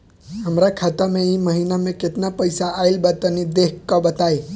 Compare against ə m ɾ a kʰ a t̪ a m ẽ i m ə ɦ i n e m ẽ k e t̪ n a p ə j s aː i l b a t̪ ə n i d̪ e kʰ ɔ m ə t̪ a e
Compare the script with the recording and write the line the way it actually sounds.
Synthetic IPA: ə m ɾ a kʰ a t̪ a m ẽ i m ə ɦ i n a m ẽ k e t̪ n a p ə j s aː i l b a t̪ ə n i d̪ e k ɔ b ə t̪ a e